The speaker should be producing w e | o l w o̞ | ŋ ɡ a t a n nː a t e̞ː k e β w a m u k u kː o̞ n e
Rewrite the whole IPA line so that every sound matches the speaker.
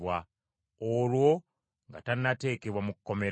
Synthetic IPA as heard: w a | o l w o̞ | ŋ ɡ a t a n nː a t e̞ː k e β w a m u k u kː o̞ m e